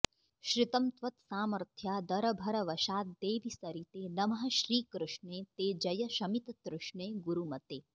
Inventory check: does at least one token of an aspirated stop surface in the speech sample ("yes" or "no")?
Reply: yes